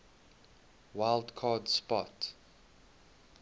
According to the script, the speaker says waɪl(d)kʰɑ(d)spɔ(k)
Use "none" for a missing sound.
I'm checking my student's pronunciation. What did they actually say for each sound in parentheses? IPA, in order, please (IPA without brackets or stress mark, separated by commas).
d, d, t